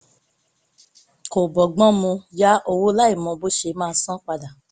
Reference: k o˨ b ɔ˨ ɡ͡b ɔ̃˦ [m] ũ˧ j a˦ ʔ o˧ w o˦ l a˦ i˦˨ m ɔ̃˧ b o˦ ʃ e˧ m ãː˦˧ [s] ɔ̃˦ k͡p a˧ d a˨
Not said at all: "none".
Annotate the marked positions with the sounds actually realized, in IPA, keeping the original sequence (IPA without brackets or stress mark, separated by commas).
m, s